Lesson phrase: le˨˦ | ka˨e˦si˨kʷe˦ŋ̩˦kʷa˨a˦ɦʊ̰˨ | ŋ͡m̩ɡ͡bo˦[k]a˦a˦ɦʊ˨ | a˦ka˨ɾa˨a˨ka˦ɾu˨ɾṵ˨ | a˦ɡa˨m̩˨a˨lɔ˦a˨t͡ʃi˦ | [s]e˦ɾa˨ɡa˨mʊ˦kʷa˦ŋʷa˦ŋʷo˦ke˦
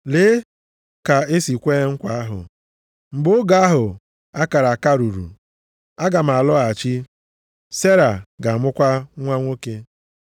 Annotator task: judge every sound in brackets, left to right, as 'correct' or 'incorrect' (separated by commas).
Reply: incorrect, correct